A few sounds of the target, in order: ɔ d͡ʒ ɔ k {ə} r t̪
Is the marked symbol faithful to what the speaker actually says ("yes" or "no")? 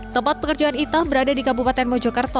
no